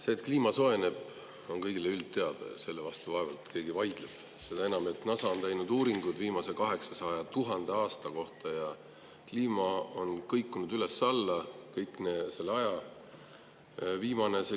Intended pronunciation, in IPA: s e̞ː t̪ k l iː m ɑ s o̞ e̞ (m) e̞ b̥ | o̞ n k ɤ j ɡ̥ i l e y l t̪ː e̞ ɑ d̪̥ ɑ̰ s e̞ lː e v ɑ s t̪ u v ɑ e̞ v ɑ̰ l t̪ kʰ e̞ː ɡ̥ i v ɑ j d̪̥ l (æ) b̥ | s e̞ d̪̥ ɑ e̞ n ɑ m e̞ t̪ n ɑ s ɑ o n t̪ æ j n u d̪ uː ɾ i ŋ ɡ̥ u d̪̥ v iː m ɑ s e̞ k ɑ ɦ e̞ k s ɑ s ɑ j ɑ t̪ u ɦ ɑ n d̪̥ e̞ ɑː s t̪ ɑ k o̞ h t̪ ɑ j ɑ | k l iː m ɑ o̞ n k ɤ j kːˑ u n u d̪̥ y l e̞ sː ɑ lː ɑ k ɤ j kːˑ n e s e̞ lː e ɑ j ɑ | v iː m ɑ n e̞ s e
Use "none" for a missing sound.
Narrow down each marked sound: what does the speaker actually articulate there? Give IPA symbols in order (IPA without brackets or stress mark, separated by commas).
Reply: n, e